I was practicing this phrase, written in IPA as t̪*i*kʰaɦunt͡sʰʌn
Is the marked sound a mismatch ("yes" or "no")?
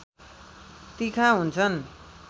no